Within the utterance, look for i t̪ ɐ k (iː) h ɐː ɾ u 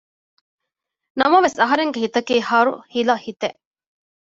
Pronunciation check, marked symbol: correct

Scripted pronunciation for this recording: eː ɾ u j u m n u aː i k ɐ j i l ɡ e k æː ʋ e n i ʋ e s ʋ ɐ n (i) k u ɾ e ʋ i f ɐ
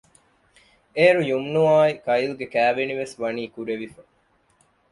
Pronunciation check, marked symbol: incorrect: iː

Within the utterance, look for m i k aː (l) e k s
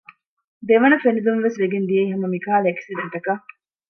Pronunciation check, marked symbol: correct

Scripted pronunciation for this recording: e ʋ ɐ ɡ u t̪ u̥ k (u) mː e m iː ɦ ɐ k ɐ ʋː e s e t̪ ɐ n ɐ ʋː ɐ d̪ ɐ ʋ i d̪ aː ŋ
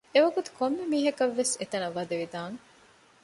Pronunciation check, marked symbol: incorrect: o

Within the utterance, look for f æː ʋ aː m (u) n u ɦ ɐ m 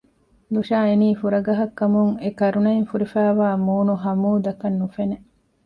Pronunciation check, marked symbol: incorrect: uː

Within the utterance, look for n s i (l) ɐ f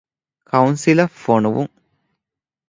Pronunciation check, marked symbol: correct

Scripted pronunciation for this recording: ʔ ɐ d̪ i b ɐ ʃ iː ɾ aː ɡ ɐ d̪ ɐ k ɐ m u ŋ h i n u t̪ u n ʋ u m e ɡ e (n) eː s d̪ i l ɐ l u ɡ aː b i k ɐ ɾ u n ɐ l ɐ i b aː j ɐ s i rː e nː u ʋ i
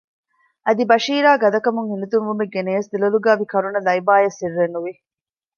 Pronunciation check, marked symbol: correct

